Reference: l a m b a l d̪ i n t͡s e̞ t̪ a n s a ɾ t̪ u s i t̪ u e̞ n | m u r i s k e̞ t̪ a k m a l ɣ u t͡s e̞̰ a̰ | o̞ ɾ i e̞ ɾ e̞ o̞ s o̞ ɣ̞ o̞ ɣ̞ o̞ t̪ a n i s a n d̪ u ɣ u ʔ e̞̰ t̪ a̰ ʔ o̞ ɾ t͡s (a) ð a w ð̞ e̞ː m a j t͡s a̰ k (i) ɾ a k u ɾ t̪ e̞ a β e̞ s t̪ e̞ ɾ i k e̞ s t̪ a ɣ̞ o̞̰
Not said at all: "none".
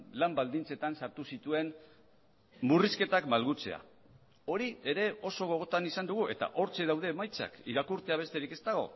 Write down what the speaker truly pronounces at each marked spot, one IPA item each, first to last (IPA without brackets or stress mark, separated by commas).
e, i